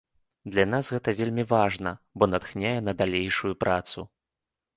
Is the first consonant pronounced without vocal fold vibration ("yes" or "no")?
no